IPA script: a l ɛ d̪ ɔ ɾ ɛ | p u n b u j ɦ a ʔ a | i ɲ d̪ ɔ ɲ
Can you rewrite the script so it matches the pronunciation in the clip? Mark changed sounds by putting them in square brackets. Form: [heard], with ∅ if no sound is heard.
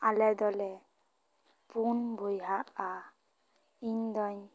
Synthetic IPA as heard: a l ɛ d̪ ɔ [l] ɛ | p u n b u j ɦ a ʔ a | i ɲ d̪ ɔ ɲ